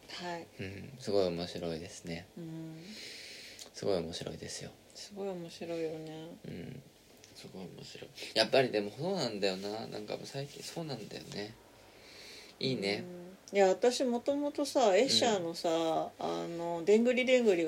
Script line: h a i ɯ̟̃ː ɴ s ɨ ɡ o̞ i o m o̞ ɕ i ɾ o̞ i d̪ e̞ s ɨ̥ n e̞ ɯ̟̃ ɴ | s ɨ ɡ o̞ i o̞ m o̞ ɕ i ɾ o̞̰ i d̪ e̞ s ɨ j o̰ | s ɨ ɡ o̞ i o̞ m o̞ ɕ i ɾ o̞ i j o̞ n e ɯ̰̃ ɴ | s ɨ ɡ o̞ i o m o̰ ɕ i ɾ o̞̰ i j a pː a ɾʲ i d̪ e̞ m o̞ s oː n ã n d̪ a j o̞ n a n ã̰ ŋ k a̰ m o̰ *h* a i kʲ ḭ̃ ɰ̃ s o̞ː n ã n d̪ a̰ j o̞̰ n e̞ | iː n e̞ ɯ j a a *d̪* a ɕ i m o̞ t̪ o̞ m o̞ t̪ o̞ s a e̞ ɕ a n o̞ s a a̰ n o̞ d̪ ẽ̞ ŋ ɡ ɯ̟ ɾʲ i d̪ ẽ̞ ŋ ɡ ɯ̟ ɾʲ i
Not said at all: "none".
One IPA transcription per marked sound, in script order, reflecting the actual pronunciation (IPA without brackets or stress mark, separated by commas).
s, t̪